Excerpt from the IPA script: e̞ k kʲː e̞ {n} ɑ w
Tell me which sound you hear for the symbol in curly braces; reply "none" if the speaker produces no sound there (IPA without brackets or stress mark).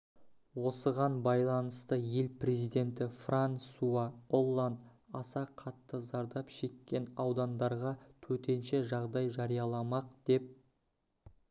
n